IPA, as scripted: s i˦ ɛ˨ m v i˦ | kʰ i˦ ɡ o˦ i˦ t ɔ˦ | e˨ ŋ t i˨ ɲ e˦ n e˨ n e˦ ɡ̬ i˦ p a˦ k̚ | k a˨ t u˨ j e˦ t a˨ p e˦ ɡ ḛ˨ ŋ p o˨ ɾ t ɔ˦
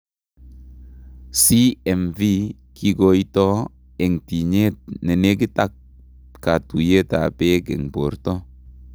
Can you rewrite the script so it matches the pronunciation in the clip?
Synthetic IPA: s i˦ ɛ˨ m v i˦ | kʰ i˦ ɡ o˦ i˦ t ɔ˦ | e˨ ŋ t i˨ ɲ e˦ n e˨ n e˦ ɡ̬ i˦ t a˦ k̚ | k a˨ t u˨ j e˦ t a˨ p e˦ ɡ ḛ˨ ŋ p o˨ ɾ t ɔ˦